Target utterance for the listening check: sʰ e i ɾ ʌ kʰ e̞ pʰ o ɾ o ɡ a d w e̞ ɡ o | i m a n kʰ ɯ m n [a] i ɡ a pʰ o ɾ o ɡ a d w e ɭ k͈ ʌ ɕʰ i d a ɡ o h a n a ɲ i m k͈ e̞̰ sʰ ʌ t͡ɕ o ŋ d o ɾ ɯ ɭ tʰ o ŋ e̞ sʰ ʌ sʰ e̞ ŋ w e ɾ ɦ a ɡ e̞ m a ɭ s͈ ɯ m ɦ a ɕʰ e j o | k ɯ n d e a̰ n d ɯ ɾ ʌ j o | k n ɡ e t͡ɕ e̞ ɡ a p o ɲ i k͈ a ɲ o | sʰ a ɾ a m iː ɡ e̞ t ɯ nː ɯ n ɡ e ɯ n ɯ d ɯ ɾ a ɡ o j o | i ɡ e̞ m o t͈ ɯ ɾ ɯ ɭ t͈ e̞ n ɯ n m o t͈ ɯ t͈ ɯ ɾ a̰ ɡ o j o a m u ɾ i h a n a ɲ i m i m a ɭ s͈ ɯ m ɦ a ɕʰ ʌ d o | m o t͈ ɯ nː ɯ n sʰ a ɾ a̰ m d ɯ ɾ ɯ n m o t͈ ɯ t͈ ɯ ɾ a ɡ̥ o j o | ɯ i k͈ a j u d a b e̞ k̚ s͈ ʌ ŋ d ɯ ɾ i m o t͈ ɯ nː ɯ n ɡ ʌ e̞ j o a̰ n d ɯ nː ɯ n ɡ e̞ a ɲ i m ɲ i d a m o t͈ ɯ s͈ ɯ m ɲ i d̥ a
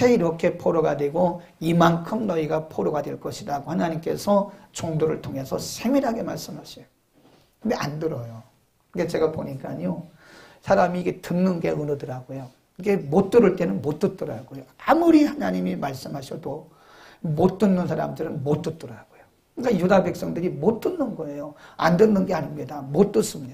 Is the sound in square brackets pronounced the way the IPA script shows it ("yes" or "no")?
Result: no